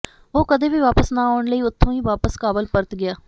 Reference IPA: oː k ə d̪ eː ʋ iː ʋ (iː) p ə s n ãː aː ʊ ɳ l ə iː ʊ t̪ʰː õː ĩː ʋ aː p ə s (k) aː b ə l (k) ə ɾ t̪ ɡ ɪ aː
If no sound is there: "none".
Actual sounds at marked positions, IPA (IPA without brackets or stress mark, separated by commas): aː, k, p